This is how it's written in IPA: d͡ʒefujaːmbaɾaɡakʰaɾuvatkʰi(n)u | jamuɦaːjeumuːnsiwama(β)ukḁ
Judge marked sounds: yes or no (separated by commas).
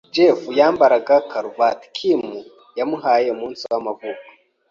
no, no